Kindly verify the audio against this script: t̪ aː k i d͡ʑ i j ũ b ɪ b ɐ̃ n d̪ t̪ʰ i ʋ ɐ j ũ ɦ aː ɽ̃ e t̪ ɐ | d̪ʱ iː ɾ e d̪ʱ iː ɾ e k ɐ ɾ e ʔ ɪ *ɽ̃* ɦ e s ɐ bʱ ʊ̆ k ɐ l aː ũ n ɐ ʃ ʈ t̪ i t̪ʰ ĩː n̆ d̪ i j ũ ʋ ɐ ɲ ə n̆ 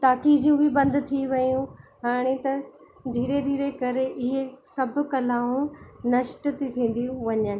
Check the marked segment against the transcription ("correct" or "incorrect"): incorrect